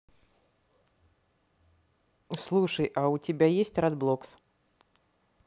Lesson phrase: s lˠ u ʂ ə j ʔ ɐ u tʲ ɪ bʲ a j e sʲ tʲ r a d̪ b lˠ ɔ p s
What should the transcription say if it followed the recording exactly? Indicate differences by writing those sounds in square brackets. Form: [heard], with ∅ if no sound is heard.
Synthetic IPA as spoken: s lˠ u ʂ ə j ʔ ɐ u tʲ ɪ bʲ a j e sʲ tʲ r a d̪ b lˠ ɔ [k] s